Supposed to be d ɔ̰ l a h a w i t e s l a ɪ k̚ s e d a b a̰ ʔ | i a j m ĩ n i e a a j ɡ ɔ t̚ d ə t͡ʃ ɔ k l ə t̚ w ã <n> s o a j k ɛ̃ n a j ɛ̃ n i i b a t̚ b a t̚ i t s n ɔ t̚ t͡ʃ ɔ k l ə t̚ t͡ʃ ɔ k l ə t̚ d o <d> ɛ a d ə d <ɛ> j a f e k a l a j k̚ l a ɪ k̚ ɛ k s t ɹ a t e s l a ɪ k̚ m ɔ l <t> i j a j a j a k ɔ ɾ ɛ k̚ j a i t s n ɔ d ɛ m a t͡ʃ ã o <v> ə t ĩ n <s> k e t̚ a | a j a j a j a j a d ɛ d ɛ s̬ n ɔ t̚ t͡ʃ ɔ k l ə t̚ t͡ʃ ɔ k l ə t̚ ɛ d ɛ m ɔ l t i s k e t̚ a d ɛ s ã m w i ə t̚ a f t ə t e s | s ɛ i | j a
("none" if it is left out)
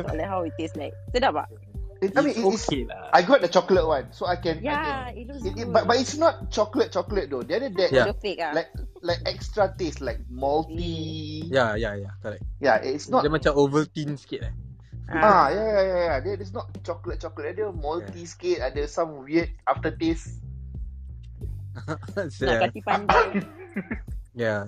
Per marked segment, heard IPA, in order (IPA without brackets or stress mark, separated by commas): n, d, ɛ, t, v, s